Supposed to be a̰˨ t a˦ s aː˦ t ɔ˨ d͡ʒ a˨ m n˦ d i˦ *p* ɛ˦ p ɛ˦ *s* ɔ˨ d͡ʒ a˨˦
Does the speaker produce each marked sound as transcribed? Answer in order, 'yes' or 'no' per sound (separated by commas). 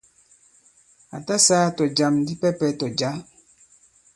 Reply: yes, no